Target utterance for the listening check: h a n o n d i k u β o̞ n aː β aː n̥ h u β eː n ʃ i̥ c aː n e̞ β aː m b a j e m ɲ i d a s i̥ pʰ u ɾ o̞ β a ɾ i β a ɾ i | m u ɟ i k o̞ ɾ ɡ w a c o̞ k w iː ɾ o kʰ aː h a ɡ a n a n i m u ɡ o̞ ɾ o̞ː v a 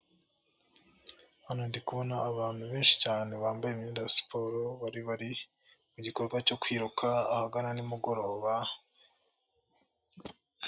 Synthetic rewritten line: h a n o n d i k u β o̞ n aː β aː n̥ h u β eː n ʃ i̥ c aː n e̞ β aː m b a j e m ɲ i d a s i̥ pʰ o ɾ o̞ β a ɾ i β a ɾ i | m u ɟ i k o̞ ɾ ɡ w a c o̞ k w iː ɾ u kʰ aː h a ɡ a n a n i m u ɡ o̞ ɾ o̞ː β a